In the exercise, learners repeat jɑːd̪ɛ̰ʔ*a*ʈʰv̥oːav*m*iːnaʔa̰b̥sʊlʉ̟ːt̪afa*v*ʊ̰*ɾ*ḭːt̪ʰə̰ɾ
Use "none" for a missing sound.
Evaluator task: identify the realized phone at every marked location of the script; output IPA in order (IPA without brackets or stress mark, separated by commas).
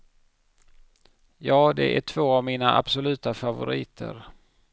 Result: æ, m, v, ɾ